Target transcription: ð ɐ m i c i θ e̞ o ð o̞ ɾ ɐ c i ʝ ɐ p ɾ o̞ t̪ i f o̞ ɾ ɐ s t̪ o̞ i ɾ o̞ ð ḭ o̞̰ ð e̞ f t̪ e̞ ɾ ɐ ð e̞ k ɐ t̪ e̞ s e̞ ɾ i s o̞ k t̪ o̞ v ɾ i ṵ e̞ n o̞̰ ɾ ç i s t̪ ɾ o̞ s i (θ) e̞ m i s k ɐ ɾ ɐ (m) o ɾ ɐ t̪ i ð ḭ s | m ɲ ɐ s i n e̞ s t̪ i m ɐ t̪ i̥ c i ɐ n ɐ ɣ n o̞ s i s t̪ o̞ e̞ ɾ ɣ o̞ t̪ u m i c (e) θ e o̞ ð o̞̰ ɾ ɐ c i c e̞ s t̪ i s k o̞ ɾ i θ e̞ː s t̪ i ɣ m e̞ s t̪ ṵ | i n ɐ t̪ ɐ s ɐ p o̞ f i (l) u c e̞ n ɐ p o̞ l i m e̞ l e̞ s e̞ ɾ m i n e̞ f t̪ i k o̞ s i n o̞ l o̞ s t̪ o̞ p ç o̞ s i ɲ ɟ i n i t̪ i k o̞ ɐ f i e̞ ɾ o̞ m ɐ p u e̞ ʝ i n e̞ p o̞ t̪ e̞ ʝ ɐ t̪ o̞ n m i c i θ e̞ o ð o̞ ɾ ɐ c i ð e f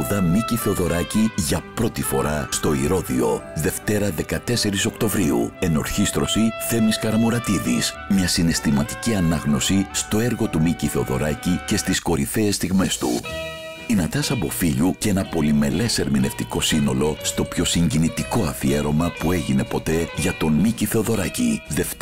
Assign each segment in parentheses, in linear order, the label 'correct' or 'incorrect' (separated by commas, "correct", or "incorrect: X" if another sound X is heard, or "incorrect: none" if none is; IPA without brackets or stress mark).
correct, correct, incorrect: i, incorrect: ʎ